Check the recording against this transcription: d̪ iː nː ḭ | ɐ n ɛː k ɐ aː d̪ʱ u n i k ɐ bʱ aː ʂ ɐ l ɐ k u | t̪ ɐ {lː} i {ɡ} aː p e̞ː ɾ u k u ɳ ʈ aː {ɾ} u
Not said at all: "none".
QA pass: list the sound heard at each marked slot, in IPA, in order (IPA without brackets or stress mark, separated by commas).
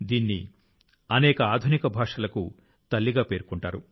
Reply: lː, ɡ, ɾ